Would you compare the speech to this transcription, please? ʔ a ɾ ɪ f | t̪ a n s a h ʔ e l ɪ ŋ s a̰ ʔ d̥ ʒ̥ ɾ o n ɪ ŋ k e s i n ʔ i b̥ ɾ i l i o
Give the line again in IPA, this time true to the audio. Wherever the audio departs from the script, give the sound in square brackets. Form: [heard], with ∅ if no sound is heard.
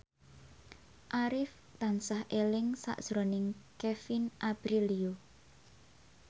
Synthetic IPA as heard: ʔ a ɾ ɪ f | t̪ a n s a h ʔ e l ɪ ŋ s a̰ ʔ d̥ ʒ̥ ɾ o n ɪ ŋ k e [f] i n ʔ [a] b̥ ɾ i l i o